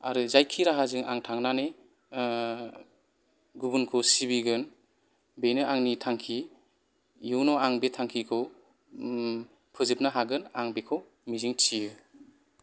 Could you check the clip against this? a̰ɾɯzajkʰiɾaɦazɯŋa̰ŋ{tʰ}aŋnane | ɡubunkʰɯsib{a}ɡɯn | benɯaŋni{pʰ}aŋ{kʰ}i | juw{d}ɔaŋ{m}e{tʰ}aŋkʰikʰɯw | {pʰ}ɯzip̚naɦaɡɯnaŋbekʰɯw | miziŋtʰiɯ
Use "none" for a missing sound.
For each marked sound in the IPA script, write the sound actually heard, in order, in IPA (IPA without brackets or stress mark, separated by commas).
tʰ, i, tʰ, kʰ, n, b, tʰ, pʰ